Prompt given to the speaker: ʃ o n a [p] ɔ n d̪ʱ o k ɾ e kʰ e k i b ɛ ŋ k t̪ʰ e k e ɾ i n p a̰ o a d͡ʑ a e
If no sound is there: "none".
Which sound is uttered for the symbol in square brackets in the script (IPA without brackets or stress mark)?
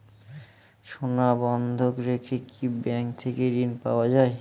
b